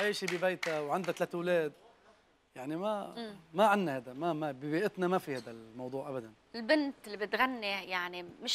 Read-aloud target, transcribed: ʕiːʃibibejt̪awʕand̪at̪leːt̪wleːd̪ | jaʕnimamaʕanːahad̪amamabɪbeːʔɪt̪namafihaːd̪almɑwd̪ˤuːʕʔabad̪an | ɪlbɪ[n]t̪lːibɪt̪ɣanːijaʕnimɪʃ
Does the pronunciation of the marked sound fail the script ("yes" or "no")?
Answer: no